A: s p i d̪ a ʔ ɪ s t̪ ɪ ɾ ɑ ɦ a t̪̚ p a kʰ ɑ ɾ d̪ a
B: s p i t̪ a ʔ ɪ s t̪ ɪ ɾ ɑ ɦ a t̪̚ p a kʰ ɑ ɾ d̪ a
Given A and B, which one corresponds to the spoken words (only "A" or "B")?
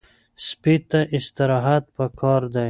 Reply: B